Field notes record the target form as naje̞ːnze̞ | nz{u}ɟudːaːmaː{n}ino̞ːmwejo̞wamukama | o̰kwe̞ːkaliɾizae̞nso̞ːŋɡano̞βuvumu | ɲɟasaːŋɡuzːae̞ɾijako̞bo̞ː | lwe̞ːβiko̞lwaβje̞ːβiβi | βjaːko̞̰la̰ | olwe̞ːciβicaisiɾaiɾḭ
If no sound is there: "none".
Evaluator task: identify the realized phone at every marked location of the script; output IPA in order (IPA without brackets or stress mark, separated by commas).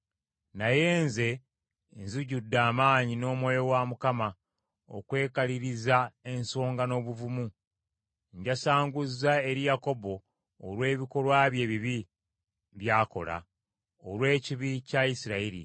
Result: u, ɲ